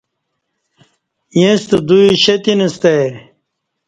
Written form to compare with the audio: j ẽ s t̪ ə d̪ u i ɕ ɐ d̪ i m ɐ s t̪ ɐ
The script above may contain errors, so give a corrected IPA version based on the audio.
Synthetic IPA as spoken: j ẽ s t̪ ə d̪ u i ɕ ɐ t̪ i n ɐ s t̪ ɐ